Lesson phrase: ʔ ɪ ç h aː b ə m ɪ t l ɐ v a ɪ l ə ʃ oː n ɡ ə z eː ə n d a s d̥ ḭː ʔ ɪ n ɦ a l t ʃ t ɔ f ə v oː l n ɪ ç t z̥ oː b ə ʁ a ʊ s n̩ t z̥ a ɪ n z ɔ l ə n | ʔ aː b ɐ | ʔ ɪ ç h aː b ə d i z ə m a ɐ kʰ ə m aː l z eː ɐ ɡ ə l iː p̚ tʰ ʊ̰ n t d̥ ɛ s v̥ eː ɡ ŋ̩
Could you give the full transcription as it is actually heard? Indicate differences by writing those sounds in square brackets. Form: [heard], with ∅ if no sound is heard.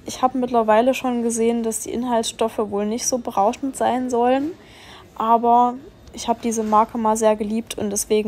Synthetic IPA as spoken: ʔ ɪ ç h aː b ə m ɪ t l ɐ v a ɪ l ə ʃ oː n ɡ ə z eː ə n d a s d̥ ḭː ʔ ɪ n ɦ a l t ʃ t ɔ f ə v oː l n ɪ ç t z̥ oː b ə ʁ a ʊ [ʃ] n̩ t z̥ a ɪ n z ɔ l ə n | ʔ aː b ɐ | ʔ ɪ ç h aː b ə d [iː] z ə m a ɐ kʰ ə m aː l z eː ɐ ɡ ə l iː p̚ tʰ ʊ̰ n t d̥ ɛ s v̥ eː ɡ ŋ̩